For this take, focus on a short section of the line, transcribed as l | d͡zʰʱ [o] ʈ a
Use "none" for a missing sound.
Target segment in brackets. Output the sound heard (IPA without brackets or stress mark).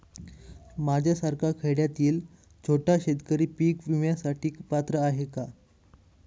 o